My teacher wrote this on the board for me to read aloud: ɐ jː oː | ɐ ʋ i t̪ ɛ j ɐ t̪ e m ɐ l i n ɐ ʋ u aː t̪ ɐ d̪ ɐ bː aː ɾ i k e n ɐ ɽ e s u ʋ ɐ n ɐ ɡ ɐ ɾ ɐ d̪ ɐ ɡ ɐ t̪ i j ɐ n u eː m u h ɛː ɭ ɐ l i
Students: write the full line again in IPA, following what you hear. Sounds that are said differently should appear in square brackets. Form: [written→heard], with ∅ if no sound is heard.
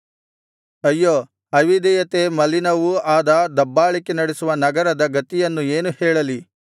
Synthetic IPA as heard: ɐ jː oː | ɐ ʋ i [t̪→d̪] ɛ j ɐ t̪ e m ɐ l i n ɐ ʋ u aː [t̪→d̪] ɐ d̪ ɐ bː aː [ɾ→ɭ] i k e n ɐ ɽ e s u ʋ ɐ n ɐ ɡ ɐ ɾ ɐ d̪ ɐ ɡ ɐ t̪ i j ɐ [n→nː] u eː [m→n] u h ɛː ɭ ɐ l i

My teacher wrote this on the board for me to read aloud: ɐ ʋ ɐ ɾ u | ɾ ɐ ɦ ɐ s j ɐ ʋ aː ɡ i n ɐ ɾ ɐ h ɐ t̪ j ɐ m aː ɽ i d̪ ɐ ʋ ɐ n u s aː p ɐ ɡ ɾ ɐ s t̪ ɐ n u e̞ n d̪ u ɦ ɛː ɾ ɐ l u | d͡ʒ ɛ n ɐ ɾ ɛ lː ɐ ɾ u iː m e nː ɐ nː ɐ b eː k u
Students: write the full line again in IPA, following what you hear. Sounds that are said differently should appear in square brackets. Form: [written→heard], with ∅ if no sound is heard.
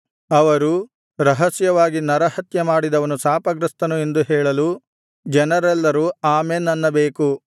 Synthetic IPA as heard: ɐ ʋ ɐ ɾ u | ɾ ɐ ɦ ɐ s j ɐ ʋ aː ɡ i n ɐ ɾ ɐ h ɐ t̪ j ɐ m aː ɽ i d̪ ɐ ʋ ɐ n u s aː p ɐ ɡ ɾ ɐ s t̪ ɐ n u e̞ n d̪ u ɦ ɛː [ɾ→ɭ] ɐ l u | d͡ʒ ɛ n ɐ ɾ ɛ lː ɐ ɾ u [iː→aː] m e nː ɐ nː ɐ b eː k u

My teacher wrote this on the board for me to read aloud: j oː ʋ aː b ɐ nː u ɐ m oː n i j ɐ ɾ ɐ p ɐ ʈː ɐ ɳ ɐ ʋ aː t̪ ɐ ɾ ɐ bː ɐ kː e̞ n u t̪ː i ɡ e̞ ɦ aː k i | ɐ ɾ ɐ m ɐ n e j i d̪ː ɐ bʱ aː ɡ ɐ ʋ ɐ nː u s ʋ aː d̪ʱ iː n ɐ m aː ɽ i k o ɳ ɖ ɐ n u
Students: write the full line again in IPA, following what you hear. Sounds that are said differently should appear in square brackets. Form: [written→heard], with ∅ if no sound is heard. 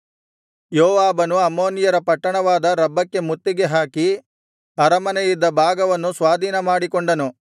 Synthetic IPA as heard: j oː ʋ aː b ɐ [nː→n] u ɐ m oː n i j ɐ ɾ ɐ p ɐ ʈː ɐ ɳ ɐ ʋ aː [t̪→d̪] ɐ ɾ ɐ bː ɐ kː e̞ [n→m] u t̪ː i ɡ e̞ ɦ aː k i | ɐ ɾ ɐ m ɐ n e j i d̪ː ɐ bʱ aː ɡ ɐ ʋ ɐ nː u s ʋ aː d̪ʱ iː n ɐ m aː ɽ i k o ɳ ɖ ɐ n u

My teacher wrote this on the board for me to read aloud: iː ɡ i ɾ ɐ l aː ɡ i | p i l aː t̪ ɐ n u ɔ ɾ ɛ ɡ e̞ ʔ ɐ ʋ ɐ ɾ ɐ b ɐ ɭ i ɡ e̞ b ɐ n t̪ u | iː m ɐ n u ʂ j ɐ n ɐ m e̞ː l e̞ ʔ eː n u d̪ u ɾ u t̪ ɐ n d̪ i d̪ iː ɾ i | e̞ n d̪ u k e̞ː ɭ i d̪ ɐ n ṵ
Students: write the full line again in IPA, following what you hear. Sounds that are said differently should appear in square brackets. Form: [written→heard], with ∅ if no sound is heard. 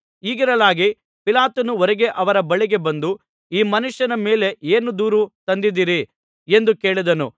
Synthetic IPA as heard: iː ɡ i ɾ ɐ l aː ɡ i | p i l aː t̪ ɐ n u ɔ ɾ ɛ ɡ e̞ ʔ ɐ ʋ ɐ ɾ ɐ b ɐ ɭ i ɡ e̞ b ɐ n [t̪→d̪] u | iː m ɐ n u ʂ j ɐ n ɐ m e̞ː l e̞ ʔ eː n u d̪ [u→uː] ɾ u t̪ ɐ n d̪ i d̪ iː ɾ i | e̞ n d̪ u k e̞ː ɭ i d̪ ɐ n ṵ

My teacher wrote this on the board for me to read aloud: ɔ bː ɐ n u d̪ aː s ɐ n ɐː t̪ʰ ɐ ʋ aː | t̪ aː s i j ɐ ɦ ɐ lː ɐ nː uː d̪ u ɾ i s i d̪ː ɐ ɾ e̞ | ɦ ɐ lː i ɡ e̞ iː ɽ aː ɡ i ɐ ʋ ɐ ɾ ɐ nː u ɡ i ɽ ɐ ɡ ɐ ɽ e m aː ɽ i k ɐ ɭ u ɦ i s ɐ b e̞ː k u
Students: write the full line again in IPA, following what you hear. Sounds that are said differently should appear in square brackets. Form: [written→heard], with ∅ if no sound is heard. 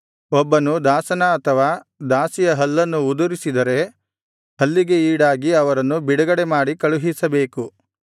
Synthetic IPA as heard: ɔ bː ɐ n u d̪ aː s ɐ n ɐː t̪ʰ ɐ ʋ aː | [t̪→d̪] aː s i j ɐ ɦ ɐ lː ɐ nː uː d̪ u ɾ i s i [d̪ː→d̪] ɐ ɾ e̞ | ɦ ɐ lː i ɡ e̞ iː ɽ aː ɡ i ɐ ʋ ɐ ɾ ɐ nː u [ɡ→b] i ɽ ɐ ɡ ɐ ɽ e m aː ɽ i k ɐ ɭ u ɦ i s ɐ b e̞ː k u

